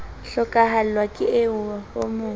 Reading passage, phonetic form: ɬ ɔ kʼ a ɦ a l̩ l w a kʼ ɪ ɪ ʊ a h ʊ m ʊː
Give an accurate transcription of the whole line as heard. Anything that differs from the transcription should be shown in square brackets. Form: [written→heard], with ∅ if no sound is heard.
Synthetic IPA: ɬ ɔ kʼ a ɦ a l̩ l w a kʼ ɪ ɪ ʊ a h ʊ m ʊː

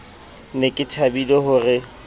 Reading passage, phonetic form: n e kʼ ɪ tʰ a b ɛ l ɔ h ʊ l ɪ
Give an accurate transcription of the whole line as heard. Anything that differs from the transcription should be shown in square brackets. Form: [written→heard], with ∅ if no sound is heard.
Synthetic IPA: n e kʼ ɪ tʰ a b [ɛ→i] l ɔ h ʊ [l→r] ɪ

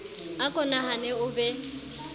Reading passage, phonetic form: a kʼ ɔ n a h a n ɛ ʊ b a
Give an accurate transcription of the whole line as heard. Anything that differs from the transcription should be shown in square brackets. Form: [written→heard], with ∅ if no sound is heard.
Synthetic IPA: a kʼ ɔ n a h a n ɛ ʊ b [a→ɛ]

